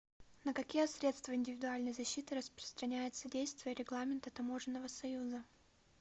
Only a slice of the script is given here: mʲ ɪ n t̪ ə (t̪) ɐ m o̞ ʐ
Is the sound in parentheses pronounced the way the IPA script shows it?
yes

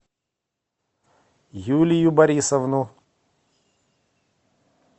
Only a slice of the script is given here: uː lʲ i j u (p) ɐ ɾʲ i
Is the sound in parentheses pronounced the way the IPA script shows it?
no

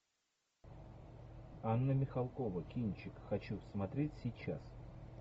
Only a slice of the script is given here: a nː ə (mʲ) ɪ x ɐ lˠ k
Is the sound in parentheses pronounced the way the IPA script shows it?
yes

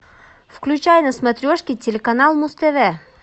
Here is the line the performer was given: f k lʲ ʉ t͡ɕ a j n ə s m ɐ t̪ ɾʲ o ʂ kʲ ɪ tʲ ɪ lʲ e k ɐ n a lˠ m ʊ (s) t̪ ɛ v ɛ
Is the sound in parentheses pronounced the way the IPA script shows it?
yes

